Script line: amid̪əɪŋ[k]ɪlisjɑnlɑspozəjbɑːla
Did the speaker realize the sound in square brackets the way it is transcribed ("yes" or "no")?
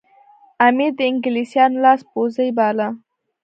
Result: no